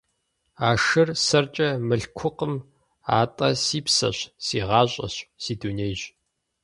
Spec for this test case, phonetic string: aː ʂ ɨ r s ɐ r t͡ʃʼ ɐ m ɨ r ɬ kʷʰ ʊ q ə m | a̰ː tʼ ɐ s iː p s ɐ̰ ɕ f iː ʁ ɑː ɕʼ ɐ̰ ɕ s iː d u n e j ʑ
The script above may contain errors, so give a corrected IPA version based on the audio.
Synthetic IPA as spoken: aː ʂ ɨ r s ɐ r t͡ʃʼ ɐ m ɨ ɬ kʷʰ ʊ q ə m | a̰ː tʼ ɐ s iː p s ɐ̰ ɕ s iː ʁ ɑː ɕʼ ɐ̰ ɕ s iː d u n e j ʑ